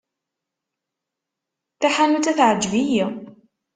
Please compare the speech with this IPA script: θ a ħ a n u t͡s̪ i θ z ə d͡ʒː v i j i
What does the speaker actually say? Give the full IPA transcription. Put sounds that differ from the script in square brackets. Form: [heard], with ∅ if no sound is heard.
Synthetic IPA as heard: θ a ħ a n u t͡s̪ [æ] θ [ʕ] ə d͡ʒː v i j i